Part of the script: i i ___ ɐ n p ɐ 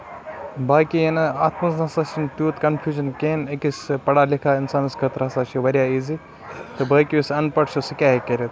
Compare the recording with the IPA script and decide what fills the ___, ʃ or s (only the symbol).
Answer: s